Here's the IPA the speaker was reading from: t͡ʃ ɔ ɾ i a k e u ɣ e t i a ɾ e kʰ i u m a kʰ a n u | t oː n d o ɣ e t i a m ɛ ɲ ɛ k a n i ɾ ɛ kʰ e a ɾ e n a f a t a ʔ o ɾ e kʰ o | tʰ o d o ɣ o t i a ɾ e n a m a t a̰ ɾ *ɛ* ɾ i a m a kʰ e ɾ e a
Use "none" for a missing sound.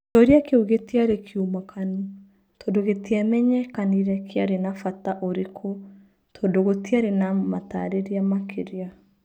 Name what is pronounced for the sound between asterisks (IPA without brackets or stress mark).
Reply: e